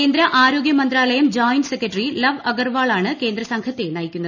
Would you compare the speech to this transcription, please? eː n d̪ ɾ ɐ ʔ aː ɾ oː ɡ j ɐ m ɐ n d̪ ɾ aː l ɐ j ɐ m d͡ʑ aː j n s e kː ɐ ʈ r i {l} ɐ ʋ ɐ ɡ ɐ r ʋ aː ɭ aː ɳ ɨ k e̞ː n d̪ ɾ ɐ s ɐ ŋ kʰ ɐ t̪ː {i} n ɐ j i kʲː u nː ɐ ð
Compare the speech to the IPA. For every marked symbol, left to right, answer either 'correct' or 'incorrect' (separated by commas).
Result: correct, incorrect